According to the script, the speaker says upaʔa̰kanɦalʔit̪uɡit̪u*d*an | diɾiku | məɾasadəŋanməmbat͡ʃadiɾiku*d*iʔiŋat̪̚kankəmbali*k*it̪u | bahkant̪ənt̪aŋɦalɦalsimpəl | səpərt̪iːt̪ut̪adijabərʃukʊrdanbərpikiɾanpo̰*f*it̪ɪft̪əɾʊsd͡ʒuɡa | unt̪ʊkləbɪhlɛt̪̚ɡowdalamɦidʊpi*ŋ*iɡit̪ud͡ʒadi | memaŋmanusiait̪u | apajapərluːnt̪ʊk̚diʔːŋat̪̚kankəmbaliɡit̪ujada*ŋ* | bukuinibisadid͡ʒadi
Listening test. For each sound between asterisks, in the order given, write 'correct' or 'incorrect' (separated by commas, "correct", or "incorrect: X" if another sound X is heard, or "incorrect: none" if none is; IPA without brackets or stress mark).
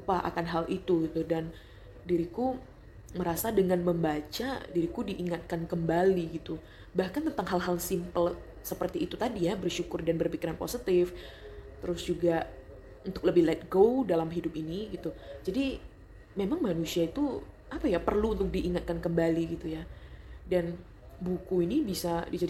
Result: correct, correct, incorrect: ɡ, incorrect: s, incorrect: n, incorrect: n